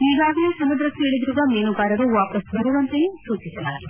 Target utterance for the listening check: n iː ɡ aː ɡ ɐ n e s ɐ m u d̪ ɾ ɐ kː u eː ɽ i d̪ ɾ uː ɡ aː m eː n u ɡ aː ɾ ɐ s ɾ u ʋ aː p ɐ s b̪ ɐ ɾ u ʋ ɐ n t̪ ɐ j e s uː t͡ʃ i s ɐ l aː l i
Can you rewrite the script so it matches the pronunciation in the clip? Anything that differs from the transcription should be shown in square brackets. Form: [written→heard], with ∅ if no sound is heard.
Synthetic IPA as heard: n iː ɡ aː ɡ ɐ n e s ɐ m u d̪ ɾ ɐ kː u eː [ɽ→ɭ] i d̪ ɾ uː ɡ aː m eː n u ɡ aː ɾ ɐ [s→∅] ɾ u ʋ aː p ɐ s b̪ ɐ ɾ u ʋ ɐ n t̪ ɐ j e s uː t͡ʃ i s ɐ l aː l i